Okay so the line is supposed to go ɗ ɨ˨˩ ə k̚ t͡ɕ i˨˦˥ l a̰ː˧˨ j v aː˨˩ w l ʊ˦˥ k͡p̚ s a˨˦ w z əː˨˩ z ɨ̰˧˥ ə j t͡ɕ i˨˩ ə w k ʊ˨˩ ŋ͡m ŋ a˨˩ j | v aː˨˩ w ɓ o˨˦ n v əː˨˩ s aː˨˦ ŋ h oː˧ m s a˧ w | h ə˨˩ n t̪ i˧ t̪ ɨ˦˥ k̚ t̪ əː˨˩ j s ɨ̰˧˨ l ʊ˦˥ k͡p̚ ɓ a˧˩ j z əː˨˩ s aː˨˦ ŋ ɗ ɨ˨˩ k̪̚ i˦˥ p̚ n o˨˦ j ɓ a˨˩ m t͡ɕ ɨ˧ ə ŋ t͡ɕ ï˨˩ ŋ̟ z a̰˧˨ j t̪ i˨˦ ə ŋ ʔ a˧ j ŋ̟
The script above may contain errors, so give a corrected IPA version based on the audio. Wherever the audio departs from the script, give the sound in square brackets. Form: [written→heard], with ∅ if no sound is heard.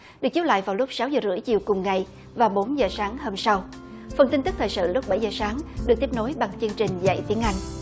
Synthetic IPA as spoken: ɗ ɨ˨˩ ə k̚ t͡ɕ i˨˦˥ l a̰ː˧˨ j v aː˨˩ w l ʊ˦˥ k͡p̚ s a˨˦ w z əː˨˩ z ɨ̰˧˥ ə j t͡ɕ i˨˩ ə w k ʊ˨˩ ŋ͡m ŋ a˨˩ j | v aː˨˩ w ɓ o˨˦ n [v→z] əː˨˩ s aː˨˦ ŋ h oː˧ m s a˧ w | [h→f] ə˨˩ n t̪ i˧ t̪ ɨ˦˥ k̚ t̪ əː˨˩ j s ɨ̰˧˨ l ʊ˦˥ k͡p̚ ɓ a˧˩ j z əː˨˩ s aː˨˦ ŋ ɗ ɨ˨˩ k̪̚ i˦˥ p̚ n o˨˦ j ɓ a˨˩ [m→ŋ] t͡ɕ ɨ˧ ə ŋ t͡ɕ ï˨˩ ŋ̟ z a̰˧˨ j t̪ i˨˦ ə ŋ ʔ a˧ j ŋ̟